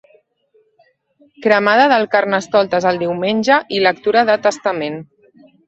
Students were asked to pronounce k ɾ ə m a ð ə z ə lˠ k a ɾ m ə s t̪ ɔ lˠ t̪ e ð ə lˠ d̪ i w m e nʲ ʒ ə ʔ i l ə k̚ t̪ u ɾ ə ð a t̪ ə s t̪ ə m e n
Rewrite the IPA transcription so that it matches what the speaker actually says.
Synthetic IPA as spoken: k ɾ ə m a ð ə ð ə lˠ k a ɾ n ə s t̪ ɔ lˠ t̪ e z ə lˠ d̪ i w m e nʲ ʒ ə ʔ i l ə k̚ t̪ u ɾ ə ð ə t̪ ə s t̪ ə m e n